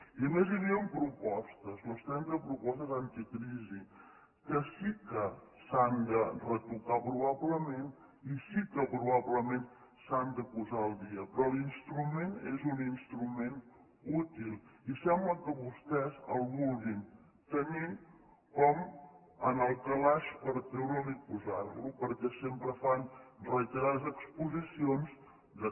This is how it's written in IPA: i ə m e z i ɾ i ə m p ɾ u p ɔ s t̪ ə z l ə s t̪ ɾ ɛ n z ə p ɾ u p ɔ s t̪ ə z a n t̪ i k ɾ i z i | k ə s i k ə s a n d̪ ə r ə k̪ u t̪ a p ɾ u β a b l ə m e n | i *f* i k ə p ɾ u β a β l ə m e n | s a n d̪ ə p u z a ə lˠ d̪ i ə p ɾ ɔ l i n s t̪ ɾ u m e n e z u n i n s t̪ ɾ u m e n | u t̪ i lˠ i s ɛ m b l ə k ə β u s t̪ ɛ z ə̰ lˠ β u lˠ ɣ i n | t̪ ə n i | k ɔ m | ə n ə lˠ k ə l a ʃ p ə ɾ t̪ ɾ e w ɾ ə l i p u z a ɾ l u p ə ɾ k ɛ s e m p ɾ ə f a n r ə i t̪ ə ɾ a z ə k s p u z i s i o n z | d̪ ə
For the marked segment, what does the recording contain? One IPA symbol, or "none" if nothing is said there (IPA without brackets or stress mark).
s